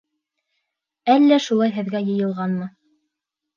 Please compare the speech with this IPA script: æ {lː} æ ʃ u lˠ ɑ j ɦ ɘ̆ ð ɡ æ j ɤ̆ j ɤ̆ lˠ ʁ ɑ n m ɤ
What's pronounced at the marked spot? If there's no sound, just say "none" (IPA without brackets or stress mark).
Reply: lː